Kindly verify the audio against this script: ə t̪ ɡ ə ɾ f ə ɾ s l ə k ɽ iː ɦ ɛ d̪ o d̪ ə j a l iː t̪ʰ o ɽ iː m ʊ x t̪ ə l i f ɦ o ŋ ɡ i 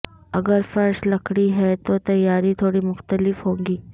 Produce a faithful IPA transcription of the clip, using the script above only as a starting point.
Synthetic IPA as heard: ə ɡ ə ɾ f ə ɾ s l ə k ɽ iː ɦ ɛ t̪ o t̪ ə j a ɾ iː t̪ʰ o ɽ iː m ʊ x t̪ ə l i f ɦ o ŋ ɡ iː